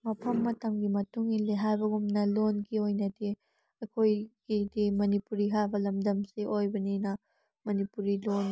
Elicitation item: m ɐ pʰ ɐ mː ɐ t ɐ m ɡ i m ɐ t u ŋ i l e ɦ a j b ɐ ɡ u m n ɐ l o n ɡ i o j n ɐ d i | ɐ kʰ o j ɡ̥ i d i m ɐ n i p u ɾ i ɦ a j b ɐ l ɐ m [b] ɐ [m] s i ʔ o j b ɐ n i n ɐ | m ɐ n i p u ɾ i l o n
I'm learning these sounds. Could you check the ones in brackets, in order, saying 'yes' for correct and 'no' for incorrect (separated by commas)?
no, yes